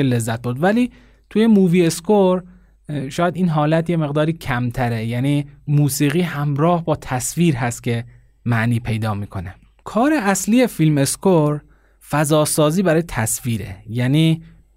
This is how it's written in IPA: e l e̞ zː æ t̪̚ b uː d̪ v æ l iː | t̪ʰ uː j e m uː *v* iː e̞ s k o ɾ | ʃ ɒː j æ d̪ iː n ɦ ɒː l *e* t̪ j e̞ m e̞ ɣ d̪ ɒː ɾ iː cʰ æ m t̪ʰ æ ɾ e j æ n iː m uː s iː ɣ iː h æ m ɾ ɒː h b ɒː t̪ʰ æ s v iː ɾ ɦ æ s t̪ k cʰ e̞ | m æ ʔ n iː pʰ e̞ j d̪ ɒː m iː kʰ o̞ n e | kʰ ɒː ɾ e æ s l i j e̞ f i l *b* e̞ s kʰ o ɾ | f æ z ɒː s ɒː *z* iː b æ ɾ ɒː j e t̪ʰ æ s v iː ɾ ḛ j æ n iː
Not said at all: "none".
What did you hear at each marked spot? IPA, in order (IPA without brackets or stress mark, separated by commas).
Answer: v, æ, m, z